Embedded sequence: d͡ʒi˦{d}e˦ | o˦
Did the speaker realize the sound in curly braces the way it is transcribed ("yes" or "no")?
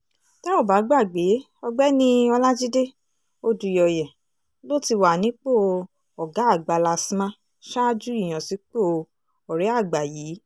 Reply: yes